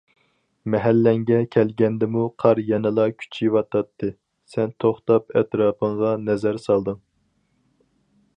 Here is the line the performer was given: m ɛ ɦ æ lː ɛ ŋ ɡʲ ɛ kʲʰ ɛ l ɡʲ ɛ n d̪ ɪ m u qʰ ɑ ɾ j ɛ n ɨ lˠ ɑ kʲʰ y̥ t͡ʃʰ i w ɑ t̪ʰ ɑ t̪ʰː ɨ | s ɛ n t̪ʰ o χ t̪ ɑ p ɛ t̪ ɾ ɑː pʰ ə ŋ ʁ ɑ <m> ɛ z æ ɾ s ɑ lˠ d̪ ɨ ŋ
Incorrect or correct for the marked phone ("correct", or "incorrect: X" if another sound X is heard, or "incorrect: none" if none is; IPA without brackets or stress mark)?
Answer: incorrect: n